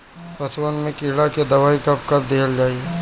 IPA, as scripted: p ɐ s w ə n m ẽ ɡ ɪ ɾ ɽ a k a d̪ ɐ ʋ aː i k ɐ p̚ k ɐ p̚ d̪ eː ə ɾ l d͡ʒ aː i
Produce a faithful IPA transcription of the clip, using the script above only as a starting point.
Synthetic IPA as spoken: p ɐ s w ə n m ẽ k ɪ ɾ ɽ a k e d̪ ɐ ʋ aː i k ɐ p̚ k ɐ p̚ d̪ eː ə l d͡ʒ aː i